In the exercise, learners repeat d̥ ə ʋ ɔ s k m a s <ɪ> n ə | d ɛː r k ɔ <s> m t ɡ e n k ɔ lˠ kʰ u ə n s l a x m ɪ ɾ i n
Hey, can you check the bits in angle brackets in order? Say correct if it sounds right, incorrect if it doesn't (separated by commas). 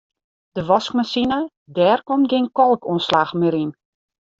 incorrect, incorrect